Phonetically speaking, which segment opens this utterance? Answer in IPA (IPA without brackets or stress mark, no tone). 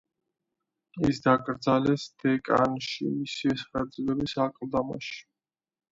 i